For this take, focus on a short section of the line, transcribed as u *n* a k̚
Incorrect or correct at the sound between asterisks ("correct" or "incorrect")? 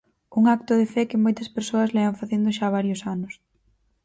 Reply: incorrect